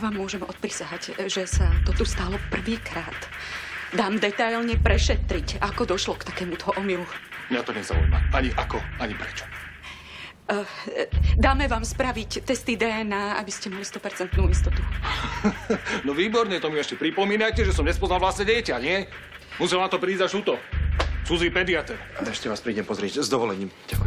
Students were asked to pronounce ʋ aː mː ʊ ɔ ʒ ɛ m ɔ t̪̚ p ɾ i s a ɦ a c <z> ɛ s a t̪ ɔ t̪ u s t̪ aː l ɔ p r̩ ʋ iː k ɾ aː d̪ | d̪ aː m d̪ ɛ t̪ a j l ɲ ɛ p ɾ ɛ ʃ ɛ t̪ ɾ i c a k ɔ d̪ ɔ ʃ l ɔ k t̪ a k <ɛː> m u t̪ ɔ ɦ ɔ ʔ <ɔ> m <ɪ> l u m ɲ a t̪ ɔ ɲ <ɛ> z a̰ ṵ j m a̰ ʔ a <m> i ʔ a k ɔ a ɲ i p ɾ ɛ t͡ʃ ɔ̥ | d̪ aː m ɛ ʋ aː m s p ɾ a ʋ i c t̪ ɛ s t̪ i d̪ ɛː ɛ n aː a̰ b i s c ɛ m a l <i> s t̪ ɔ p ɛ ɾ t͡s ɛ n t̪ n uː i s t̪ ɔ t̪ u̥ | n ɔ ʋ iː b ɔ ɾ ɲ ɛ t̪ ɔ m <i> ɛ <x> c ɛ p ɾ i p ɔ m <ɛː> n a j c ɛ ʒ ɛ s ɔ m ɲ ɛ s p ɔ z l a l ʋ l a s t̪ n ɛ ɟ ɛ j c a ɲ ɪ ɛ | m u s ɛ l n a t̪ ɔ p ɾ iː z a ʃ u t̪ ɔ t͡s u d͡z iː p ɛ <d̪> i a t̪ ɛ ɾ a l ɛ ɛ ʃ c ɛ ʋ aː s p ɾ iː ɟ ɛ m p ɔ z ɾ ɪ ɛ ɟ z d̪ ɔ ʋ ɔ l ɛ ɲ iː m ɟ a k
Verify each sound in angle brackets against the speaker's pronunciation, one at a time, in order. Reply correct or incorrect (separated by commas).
incorrect, correct, correct, incorrect, correct, incorrect, correct, correct, incorrect, incorrect, correct